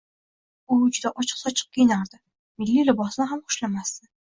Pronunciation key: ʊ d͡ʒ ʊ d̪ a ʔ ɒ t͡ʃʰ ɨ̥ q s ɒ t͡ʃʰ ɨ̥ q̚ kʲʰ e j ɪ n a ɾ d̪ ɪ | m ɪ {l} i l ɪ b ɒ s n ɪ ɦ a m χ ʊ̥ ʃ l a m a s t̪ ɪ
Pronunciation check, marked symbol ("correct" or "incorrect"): incorrect